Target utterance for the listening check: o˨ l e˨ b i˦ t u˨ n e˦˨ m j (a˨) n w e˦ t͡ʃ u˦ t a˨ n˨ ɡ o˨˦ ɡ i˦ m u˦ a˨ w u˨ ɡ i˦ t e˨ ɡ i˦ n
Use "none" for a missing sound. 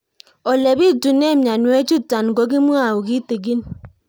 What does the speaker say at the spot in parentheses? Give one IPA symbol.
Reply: a˨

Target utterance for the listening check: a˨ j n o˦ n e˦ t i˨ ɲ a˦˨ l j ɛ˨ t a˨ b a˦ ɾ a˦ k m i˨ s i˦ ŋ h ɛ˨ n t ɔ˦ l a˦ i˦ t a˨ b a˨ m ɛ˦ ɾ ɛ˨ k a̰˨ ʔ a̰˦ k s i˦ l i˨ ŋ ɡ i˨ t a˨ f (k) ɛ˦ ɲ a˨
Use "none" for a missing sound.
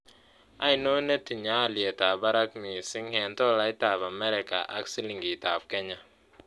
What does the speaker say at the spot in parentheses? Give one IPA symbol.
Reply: k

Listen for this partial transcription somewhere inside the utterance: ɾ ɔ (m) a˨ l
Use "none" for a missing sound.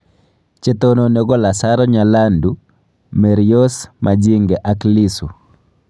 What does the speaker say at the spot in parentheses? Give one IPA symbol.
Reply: ɲ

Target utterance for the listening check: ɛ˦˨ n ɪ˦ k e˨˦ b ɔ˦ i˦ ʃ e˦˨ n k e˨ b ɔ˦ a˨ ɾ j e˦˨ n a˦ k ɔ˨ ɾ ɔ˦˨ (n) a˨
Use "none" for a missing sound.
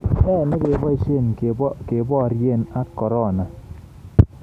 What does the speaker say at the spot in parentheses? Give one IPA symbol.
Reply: n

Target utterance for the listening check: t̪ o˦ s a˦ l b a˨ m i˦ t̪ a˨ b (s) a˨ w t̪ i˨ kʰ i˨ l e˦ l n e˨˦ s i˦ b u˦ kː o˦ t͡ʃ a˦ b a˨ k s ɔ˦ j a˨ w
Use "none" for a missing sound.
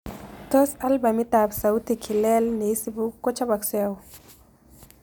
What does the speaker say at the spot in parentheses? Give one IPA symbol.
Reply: s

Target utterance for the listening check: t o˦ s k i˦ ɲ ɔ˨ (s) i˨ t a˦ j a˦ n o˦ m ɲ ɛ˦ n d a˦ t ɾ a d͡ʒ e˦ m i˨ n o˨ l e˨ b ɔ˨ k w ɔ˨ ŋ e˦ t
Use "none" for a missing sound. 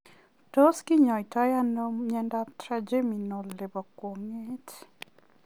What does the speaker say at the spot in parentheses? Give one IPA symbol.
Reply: none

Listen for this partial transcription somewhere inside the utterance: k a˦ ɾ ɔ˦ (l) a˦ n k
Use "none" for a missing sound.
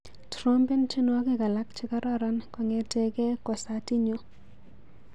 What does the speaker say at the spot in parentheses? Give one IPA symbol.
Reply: ɾ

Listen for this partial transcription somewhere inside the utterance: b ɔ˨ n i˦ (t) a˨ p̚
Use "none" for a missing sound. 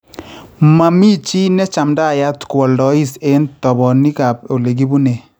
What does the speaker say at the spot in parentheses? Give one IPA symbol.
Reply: k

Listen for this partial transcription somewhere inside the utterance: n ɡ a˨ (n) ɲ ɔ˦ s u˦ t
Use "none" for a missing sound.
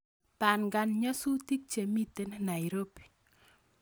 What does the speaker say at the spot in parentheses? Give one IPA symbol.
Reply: n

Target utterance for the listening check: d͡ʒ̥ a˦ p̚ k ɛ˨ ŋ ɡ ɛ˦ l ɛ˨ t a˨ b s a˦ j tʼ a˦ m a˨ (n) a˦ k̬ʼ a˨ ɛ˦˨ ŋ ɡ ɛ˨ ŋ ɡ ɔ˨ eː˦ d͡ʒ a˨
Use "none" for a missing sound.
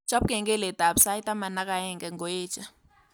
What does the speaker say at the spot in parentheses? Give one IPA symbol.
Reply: n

